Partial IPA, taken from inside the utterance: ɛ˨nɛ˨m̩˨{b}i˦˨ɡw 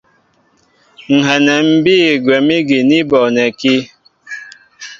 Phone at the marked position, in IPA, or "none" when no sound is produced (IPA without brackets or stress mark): b